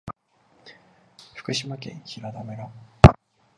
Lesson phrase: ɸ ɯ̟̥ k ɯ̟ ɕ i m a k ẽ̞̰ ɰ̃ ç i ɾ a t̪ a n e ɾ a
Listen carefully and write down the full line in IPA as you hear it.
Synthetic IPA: ɸ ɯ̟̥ k ɯ̟ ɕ i m a k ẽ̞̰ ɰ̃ ç i ɾ a d̪ a m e ɾ a